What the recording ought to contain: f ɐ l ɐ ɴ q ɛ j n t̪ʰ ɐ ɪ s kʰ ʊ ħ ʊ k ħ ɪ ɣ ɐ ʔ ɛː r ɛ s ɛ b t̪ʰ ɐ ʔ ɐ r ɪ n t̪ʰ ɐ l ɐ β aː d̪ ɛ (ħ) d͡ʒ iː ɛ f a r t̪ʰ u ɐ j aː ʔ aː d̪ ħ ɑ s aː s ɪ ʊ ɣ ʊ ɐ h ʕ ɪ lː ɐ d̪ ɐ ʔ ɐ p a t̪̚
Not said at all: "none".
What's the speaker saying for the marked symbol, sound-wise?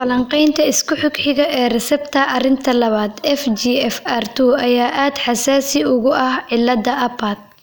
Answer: f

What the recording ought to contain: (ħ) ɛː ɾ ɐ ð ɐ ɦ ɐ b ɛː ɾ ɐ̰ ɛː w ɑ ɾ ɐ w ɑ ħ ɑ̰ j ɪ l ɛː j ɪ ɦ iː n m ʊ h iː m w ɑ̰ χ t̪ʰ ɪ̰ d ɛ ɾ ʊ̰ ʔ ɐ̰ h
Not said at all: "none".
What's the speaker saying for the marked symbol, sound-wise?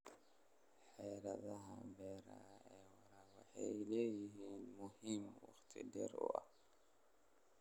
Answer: ħ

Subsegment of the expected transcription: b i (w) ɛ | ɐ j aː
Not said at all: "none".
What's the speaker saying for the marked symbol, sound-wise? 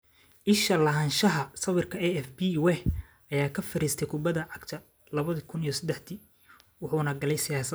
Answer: w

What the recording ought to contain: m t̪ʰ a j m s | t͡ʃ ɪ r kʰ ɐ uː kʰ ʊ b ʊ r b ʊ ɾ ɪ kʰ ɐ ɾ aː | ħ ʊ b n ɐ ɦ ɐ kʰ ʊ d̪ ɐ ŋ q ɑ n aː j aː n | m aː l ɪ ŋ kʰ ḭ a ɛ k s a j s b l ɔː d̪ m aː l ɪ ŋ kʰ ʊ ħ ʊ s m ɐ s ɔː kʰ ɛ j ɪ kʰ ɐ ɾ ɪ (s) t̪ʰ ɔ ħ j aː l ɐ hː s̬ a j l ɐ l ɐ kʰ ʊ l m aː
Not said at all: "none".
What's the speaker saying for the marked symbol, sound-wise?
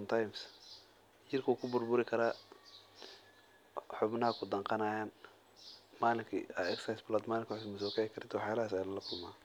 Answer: none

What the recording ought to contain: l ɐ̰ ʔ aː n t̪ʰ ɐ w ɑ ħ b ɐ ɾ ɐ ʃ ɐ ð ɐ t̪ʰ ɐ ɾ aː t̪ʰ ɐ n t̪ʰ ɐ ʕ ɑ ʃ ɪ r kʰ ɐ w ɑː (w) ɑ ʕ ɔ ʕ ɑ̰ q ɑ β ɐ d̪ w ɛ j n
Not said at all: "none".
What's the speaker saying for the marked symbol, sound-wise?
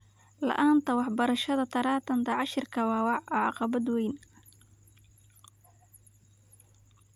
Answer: w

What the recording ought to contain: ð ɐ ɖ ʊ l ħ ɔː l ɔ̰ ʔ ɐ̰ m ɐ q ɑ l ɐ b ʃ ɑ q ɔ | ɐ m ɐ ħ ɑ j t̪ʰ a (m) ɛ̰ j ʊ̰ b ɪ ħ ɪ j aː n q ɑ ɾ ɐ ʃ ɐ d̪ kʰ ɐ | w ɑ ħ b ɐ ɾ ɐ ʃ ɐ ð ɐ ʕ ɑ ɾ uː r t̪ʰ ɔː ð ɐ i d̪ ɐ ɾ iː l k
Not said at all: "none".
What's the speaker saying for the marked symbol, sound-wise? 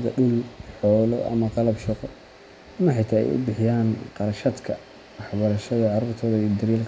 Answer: none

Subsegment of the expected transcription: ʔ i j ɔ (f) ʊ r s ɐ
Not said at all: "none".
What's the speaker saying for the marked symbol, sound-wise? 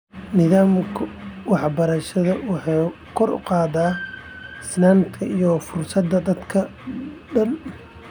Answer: f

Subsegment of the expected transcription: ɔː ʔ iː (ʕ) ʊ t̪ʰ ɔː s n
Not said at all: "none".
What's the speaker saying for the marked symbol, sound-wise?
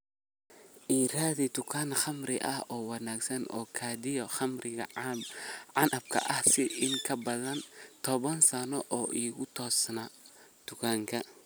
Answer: ɣ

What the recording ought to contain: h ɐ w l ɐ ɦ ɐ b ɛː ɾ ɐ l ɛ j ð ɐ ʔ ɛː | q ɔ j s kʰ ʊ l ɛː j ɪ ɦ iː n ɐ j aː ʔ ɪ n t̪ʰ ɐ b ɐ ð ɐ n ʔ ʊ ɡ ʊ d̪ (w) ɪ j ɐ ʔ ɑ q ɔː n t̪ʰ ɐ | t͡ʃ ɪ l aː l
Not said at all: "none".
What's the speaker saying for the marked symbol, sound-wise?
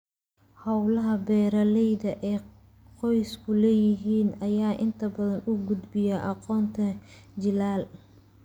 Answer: b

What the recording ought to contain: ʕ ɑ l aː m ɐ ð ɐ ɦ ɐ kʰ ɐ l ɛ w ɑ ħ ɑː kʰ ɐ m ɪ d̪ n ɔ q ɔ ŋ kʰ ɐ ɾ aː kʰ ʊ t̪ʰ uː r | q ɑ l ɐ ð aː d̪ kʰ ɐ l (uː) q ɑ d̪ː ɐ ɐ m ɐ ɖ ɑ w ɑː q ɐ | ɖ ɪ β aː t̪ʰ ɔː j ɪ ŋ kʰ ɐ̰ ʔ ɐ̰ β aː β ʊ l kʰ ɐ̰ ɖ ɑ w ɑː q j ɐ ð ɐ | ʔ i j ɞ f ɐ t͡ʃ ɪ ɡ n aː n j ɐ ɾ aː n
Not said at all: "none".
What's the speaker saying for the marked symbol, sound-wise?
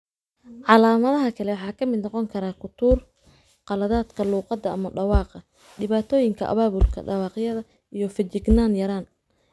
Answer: uː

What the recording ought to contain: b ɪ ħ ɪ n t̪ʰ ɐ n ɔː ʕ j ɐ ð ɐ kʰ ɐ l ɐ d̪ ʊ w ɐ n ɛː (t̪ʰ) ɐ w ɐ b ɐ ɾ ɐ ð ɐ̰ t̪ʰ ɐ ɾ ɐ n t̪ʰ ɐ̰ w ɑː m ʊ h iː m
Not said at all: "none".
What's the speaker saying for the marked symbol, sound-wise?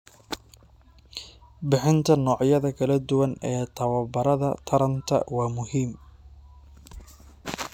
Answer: t̪ʰ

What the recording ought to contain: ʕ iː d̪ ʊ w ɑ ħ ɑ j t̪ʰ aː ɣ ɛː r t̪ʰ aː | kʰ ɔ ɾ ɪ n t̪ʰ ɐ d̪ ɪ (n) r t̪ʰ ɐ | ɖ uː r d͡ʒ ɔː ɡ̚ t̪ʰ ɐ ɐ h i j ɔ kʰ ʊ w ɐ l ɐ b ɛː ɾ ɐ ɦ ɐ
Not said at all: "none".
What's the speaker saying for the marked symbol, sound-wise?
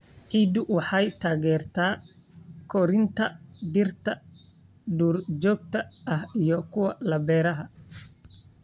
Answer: none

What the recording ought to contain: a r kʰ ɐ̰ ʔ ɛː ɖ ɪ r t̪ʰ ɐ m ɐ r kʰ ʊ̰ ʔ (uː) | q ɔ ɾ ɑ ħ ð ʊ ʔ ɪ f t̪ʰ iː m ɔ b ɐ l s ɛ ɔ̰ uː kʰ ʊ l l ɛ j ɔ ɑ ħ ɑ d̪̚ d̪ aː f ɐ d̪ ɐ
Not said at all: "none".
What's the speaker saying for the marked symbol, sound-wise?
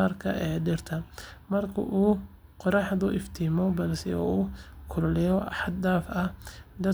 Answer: uː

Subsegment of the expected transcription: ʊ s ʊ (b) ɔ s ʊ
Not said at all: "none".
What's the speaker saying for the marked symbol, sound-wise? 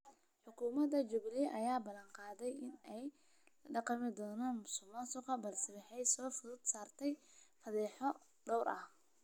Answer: m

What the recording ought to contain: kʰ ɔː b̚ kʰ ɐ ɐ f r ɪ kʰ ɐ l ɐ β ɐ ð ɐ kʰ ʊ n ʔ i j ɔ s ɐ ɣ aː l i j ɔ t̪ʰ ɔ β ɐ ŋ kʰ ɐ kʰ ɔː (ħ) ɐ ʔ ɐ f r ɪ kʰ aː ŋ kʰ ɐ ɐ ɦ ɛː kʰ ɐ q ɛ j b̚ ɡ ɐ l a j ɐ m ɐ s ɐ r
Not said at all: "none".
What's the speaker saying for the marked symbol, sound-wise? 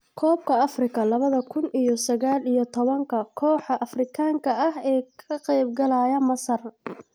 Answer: ħ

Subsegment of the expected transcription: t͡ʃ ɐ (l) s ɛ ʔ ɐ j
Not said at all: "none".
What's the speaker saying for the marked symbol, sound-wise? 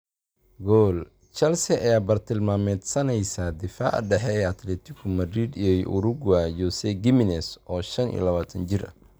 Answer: l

